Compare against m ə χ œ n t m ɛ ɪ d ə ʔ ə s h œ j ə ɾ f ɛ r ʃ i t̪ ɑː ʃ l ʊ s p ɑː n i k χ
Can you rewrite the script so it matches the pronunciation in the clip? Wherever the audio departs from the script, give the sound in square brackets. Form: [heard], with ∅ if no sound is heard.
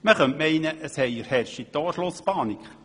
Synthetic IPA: m ə χ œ n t m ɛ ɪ [n] ə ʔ ə s h [ɛ] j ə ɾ [h] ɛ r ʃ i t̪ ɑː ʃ l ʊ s p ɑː n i k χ